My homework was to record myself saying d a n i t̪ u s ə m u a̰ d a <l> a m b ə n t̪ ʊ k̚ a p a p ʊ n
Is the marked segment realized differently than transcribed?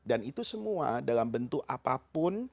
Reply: no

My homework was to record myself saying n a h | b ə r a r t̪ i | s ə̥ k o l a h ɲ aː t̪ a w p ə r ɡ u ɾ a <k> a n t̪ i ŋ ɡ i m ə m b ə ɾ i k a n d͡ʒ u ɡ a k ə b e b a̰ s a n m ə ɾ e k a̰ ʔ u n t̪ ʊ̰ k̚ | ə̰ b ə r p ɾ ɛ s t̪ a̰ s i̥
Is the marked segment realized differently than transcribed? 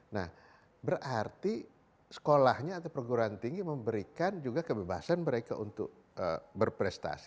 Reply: yes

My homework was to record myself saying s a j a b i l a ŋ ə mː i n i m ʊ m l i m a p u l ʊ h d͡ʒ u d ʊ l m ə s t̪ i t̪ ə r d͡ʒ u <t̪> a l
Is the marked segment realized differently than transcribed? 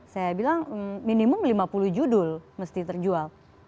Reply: yes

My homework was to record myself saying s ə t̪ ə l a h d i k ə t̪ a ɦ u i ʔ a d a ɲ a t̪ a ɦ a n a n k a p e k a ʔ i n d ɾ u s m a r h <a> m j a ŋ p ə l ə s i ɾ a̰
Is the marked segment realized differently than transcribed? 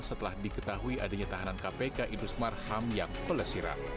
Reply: no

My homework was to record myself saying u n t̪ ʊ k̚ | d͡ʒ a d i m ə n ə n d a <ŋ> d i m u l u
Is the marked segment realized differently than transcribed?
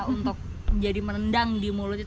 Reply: no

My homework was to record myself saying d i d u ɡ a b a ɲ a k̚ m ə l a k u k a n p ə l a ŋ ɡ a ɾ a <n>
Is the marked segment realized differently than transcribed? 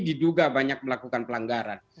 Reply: no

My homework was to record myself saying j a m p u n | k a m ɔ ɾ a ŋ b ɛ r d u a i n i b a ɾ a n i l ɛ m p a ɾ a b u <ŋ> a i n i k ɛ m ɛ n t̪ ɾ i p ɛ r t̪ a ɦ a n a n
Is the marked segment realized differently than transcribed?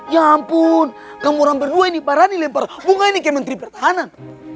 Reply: no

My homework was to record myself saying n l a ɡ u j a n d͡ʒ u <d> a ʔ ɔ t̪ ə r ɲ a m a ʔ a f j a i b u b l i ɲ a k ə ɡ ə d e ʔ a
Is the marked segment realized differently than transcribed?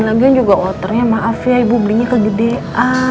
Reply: yes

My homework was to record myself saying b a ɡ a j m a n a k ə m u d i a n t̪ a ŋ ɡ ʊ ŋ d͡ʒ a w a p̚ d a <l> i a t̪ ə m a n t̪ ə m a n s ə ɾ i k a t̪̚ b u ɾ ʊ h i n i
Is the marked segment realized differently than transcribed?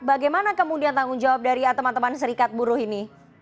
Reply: yes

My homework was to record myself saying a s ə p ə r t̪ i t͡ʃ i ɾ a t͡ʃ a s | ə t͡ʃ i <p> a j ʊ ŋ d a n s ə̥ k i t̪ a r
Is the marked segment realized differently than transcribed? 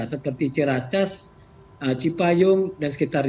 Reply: no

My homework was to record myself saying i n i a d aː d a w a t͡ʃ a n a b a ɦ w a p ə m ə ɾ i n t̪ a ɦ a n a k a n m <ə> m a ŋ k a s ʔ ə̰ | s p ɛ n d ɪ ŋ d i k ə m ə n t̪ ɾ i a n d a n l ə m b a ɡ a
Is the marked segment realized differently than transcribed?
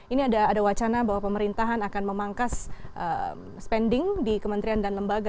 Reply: no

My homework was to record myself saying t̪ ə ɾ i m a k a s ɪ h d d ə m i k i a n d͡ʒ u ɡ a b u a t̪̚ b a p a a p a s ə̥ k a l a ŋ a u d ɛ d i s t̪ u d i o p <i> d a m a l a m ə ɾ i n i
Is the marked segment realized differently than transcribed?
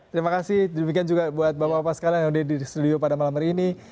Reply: yes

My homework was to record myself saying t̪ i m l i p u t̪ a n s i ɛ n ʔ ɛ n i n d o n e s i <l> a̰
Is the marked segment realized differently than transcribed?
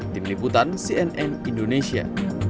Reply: yes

